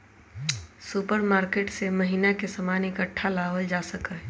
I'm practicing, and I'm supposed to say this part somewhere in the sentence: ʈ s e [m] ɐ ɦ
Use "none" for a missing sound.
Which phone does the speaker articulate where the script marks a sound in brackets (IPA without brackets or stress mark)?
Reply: m